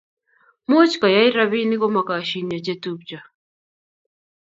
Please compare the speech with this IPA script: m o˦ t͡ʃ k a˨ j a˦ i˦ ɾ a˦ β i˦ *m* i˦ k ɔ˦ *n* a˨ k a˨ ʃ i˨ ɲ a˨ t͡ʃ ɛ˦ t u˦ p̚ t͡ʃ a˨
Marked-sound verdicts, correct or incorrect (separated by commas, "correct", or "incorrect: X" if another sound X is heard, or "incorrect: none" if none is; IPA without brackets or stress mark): incorrect: n, incorrect: m